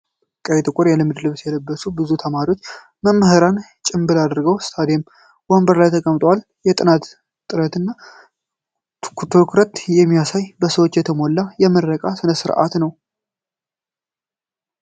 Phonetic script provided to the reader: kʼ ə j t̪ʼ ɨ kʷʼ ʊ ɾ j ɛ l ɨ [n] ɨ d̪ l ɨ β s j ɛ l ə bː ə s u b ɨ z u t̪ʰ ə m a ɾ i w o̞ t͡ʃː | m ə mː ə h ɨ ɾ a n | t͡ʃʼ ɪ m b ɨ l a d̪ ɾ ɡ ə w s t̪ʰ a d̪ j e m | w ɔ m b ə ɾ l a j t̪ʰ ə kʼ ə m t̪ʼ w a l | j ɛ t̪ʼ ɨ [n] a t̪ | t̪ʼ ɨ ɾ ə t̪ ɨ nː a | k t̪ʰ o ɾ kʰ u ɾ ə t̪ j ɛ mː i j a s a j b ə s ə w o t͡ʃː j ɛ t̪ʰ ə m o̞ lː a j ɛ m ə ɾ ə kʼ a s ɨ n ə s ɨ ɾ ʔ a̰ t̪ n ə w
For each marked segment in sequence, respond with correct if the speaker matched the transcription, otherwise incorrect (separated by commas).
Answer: incorrect, correct